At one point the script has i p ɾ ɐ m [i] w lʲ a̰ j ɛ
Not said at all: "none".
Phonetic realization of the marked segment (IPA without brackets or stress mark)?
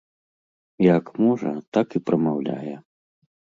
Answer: a